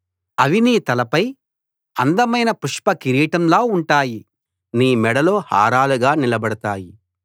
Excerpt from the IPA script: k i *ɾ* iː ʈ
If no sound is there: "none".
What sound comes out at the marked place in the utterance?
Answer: ɾ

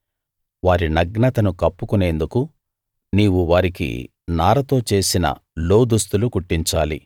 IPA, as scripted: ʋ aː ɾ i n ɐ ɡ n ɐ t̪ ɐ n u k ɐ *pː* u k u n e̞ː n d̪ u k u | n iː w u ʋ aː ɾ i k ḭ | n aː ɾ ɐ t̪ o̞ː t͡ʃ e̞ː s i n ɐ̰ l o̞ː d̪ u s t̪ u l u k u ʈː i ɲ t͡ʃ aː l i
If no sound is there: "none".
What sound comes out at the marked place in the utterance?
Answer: pː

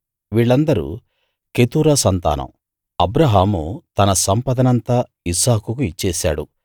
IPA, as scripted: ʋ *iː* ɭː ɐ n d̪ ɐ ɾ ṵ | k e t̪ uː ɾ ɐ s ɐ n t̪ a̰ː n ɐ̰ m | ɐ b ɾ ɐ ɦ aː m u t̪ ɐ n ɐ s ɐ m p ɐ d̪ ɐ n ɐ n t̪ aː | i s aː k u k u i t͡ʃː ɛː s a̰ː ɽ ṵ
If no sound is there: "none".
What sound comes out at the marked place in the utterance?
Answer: iː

